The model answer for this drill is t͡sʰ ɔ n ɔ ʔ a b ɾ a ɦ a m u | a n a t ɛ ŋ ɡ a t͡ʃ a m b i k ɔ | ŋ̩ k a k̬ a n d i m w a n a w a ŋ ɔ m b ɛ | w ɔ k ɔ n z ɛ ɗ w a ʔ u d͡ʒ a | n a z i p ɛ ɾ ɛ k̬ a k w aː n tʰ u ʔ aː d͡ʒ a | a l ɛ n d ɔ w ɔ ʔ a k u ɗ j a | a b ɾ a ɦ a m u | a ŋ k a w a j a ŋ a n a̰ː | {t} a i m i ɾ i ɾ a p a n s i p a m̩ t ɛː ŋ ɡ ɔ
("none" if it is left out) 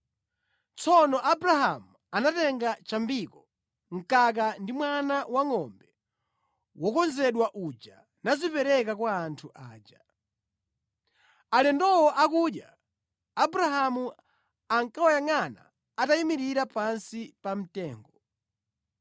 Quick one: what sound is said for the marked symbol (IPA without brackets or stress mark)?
t